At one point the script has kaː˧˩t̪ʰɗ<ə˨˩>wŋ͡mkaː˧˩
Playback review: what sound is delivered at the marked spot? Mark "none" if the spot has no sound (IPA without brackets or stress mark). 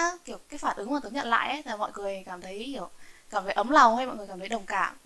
ə˨˩